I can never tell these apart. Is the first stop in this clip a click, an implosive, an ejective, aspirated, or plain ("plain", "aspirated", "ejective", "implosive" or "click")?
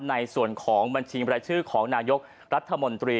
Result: aspirated